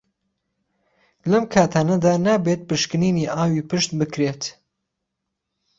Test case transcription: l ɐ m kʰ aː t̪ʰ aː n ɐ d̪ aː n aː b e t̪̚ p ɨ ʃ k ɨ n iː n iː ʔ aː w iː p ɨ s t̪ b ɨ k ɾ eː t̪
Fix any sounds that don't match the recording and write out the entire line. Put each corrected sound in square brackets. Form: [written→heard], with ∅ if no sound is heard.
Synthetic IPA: l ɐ m kʰ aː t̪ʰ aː n ɐ d̪ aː n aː b e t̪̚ p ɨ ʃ k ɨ n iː n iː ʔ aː w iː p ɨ [s→ʃ] t̪ b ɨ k ɾ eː t̪